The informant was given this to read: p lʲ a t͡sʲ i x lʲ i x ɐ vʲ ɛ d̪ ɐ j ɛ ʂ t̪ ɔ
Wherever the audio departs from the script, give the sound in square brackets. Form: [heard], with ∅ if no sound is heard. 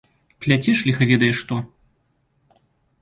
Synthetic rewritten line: p lʲ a t͡sʲ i [ʂ] lʲ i x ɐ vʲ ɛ d̪ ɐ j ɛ ʂ t̪ ɔ